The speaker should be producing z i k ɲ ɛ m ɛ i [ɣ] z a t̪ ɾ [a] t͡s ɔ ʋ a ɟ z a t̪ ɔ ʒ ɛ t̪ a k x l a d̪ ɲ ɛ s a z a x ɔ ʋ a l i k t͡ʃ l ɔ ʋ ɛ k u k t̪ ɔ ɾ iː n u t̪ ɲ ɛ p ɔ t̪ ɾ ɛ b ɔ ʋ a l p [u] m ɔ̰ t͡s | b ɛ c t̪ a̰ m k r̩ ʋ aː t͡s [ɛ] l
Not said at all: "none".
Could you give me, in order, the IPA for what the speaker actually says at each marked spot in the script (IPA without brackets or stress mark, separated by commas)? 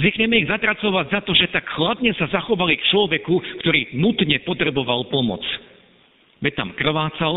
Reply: ɣ, a, ɔ, a